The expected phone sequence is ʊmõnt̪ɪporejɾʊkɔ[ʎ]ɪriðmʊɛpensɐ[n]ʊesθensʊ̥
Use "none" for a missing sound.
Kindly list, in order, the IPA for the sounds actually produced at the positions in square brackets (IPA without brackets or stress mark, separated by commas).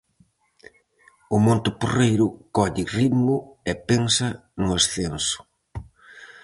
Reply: ʎ, n